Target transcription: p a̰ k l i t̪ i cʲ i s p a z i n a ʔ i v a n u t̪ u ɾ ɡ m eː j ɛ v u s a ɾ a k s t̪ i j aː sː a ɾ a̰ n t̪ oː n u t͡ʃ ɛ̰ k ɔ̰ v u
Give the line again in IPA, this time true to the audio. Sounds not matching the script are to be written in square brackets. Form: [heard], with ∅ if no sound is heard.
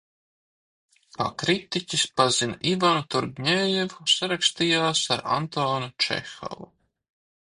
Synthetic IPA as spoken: p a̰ k [ɾ] i t̪ i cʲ i s p a z i n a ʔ i v a n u t̪ u ɾ ɡ [ɲ] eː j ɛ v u s a ɾ a k s t̪ i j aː [s] a ɾ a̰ n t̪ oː n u t͡ʃ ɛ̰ [x] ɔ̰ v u